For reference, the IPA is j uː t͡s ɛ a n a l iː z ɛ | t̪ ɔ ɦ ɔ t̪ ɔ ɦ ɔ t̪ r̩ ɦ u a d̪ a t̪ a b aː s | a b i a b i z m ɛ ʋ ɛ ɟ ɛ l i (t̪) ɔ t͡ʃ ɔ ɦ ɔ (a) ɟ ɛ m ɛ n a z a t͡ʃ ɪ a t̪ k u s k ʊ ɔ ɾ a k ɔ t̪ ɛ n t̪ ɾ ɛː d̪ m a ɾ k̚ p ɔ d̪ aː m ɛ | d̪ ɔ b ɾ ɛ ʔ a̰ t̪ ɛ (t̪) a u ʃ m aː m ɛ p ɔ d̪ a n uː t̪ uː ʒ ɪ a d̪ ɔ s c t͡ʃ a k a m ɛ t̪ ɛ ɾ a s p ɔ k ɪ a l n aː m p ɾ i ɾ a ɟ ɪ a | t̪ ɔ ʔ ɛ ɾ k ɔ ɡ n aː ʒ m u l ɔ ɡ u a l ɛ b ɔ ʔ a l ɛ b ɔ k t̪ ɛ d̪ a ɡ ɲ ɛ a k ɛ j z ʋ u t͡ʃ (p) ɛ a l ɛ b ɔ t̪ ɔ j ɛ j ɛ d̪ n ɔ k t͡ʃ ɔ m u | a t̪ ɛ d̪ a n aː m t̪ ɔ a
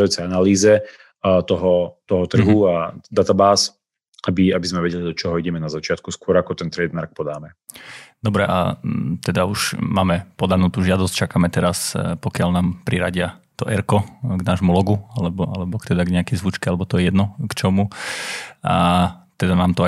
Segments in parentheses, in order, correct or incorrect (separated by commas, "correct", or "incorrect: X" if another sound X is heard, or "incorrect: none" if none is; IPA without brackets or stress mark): incorrect: d̪, incorrect: i, incorrect: d̪, incorrect: k